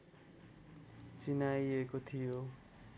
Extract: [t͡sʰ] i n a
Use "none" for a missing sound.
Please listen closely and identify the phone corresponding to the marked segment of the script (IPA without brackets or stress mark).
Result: t͡s